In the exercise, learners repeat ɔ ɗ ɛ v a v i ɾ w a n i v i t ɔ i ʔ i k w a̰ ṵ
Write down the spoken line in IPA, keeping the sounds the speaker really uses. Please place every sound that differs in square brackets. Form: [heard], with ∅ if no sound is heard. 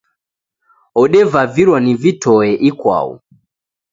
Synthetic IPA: ɔ ɗ ɛ v a v i ɾ w a n i v i t ɔ [ɛ] ʔ i k w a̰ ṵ

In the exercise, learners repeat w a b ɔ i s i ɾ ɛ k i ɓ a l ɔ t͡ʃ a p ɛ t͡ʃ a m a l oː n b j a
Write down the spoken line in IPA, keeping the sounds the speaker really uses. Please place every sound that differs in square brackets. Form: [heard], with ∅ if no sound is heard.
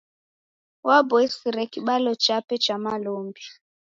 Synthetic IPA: w a b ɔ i s i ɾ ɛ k i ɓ a l ɔ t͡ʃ a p ɛ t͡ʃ a m a l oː [m] b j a

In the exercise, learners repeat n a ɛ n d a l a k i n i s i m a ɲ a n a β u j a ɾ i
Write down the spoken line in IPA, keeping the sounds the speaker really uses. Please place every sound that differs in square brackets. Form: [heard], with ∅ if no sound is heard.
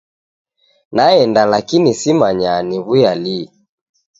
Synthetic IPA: n a ɛ n d a l a k i n i s i m a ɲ a n [i] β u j a [l] i

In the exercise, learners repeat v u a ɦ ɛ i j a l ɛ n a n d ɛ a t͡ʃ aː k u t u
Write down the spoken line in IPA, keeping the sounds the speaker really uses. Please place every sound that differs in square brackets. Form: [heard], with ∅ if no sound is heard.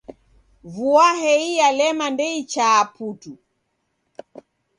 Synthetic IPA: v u a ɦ ɛ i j a l ɛ [m] a n d ɛ [i] t͡ʃ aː [p] u t u

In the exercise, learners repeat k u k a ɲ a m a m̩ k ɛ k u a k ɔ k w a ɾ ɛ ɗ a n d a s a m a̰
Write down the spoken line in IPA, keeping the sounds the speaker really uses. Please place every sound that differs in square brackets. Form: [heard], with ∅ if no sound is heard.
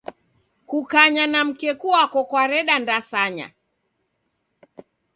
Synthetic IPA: k u k a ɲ a [n] a m̩ k ɛ k u a k ɔ k w a ɾ ɛ ɗ a n d a s a [ɲ] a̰

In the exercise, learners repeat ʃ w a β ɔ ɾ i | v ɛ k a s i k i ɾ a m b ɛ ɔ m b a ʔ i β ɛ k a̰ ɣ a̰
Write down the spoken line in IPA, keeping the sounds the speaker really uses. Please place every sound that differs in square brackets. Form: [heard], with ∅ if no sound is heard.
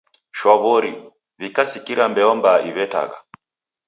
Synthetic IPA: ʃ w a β ɔ ɾ i | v [i] k a s i k i ɾ a m b ɛ ɔ m b a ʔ i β ɛ [t] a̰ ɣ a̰

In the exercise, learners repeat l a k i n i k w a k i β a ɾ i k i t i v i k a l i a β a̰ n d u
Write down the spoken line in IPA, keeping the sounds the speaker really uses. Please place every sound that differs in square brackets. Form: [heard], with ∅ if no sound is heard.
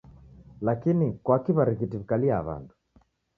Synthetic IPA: l a k i n i k w a k i β a ɾ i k i t i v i k a l i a β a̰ n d u

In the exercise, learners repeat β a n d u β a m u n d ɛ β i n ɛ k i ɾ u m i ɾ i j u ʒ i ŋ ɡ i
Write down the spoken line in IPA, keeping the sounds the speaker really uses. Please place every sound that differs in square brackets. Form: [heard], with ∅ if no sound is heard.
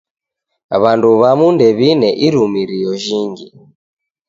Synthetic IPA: β a n d u β a m u n d ɛ β i n ɛ [ʔ] i ɾ u m i ɾ i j [ɔ] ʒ i ŋ ɡ i

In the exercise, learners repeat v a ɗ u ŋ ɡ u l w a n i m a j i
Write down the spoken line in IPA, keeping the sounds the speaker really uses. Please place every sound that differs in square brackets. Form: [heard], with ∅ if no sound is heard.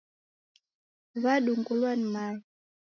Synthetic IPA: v a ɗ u ŋ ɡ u l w a n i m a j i

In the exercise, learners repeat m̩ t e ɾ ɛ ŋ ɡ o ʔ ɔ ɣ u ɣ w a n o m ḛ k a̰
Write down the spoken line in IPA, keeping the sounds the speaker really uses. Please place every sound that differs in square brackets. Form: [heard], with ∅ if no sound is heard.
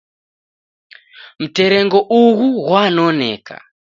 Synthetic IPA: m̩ t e ɾ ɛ ŋ ɡ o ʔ [u] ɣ u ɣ w a n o [n] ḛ k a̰

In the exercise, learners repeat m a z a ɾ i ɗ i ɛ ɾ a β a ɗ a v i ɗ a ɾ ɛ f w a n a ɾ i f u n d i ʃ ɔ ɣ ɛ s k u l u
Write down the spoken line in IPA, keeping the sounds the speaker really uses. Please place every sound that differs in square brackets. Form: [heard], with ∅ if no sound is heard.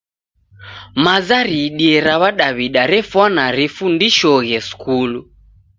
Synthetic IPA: m a z a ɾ i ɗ i ɛ ɾ a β a ɗ a [β] i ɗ a ɾ ɛ f w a n a ɾ i f u n d i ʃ ɔ ɣ ɛ s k u l u

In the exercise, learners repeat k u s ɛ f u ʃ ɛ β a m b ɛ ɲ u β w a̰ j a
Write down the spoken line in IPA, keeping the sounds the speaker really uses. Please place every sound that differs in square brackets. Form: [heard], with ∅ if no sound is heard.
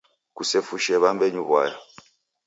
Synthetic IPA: k u s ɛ f u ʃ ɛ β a m b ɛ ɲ u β w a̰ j a

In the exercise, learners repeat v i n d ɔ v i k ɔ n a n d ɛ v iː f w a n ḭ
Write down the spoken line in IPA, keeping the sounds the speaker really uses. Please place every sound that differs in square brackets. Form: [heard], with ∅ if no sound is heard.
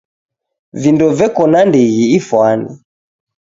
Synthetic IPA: v i n d ɔ v [ɛ] k ɔ n a n d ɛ [ɣ] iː f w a n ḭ

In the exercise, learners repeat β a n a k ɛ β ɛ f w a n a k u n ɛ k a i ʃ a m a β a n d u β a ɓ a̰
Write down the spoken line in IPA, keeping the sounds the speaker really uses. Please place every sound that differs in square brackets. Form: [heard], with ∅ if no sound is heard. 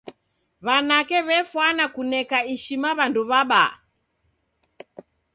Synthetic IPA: β a n a k ɛ β ɛ f w a n a k u n ɛ k a i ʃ [i] m a β a n d u β a ɓ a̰

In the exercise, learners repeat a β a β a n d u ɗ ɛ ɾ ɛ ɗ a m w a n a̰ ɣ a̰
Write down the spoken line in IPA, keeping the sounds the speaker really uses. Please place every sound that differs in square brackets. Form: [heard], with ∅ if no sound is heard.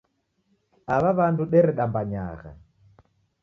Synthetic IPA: a β a β a n d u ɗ ɛ ɾ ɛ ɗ a m [b] a [ɲ] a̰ ɣ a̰

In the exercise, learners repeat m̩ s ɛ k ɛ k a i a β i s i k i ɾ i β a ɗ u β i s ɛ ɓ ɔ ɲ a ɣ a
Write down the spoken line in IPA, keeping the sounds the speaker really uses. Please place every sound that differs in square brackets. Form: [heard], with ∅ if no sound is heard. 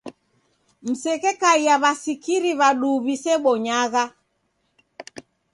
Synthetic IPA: m̩ s ɛ k ɛ k a i a β [a] s i k i ɾ i β a ɗ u β i s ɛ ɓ ɔ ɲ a ɣ a

